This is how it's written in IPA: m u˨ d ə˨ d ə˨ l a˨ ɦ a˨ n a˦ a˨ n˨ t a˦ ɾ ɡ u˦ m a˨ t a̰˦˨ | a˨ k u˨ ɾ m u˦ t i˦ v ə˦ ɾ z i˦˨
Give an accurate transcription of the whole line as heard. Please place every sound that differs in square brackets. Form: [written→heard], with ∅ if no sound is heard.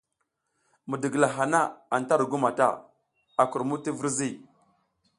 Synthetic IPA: m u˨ d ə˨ [d→ɡ] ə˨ l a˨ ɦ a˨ n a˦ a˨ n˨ t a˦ ɾ ɡ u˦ m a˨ t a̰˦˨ | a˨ k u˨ ɾ m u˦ t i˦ v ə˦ ɾ z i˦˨

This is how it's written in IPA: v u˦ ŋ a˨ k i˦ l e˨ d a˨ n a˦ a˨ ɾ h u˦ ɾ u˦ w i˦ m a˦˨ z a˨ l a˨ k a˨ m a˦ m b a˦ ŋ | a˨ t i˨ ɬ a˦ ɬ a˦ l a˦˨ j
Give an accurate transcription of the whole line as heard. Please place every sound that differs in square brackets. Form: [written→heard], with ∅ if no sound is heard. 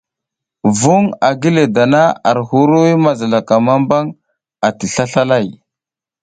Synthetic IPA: v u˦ ŋ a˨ [k→ɡ] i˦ l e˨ d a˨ n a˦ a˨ ɾ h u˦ ɾ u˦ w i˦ m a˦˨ z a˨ l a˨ k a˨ m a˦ m b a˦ ŋ | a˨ t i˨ ɬ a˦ ɬ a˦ l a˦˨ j

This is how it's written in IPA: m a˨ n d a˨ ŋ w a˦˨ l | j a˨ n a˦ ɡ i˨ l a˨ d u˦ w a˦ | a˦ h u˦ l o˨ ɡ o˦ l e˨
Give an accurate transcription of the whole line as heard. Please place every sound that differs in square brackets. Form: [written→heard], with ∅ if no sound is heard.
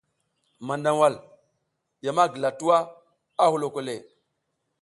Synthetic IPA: m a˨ n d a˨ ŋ w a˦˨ l | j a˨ [n→m] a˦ ɡ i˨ l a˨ [d→t] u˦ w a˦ | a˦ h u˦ l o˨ [ɡ→k] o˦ l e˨

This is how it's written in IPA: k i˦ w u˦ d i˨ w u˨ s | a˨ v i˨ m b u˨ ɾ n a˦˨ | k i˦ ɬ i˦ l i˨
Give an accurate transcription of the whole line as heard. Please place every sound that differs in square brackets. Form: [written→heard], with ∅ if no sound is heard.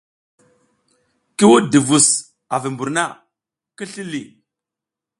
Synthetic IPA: k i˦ w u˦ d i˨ [w→v] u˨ s | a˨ v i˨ m b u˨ ɾ n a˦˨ | k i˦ ɬ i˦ l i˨

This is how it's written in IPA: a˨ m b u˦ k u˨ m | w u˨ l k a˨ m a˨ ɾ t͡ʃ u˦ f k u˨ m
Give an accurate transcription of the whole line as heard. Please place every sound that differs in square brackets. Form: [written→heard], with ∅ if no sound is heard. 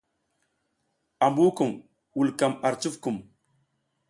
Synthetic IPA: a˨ m b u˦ k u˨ m | w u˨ l k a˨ m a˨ ɾ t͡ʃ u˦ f k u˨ m

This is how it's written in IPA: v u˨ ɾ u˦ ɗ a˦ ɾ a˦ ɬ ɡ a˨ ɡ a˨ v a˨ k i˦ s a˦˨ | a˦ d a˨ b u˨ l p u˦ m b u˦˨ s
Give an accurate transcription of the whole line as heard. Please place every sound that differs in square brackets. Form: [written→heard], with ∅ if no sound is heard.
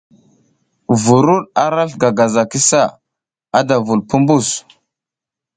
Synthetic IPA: v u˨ ɾ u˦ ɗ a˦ ɾ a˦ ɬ ɡ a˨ ɡ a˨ [v→z] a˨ k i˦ s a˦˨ | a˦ d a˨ [b→v] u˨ l p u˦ m b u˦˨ s

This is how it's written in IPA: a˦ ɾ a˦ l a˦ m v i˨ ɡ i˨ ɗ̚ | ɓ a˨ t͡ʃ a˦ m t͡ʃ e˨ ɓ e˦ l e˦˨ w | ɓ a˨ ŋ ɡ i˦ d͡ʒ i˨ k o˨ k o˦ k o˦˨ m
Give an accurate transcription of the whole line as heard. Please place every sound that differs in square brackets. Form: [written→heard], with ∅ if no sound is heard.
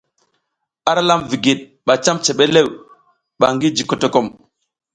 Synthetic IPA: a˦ ɾ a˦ l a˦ m v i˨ ɡ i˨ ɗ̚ | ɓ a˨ t͡ʃ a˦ m t͡ʃ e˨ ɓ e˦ l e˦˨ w | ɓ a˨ ŋ ɡ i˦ d͡ʒ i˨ k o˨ [k→t] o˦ k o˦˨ m

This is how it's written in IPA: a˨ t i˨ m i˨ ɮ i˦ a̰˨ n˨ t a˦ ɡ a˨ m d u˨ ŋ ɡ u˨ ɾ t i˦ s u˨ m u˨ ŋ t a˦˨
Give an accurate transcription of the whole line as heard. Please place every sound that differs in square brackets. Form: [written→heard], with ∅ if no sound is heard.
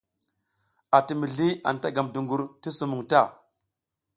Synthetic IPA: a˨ t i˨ m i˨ ɮ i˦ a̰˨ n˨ t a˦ ɡ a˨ m d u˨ ŋ ɡ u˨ ɾ t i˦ s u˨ m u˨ ŋ t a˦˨

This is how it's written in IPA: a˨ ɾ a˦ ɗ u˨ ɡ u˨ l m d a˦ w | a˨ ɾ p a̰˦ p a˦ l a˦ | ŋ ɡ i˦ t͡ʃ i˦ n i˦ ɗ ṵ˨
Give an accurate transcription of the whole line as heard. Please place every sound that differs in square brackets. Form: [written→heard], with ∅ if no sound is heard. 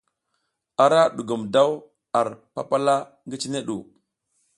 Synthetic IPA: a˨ ɾ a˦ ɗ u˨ ɡ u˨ [l→∅] m d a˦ w | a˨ ɾ p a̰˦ p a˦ l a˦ | ŋ ɡ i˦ t͡ʃ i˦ n [i˦→e˦] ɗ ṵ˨

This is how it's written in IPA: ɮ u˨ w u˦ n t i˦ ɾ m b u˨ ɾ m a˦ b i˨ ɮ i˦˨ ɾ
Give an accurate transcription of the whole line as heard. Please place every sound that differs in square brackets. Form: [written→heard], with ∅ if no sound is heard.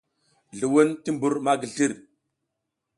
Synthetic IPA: ɮ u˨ w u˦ n t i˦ [ɾ→∅] m b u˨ ɾ m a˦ [b→ɡ] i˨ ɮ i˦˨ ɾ

